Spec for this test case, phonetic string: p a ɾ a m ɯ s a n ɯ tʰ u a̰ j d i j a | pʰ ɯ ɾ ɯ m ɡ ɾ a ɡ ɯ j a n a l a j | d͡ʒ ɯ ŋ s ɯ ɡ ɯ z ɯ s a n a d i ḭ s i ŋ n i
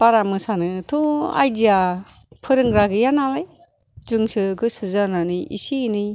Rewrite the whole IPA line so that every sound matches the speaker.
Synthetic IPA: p a ɾ a m ɯ s a n ɯ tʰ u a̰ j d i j a | pʰ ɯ ɾ ɯ ŋ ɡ ɾ a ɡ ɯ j a n a l a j | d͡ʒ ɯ ŋ s ɯ ɡ ɯ s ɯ z a n a n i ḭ s i n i